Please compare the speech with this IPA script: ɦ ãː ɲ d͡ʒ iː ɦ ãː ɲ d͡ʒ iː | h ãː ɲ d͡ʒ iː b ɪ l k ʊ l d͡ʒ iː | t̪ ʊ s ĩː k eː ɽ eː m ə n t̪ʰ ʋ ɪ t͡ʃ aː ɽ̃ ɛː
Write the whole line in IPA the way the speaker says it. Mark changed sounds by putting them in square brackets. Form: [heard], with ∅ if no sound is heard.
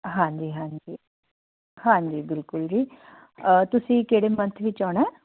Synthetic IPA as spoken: ɦ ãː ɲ d͡ʒ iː ɦ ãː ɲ d͡ʒ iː | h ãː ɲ d͡ʒ iː b ɪ l k ʊ l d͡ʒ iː | t̪ ʊ s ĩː k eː ɽ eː m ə n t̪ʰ ʋ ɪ t͡ʃ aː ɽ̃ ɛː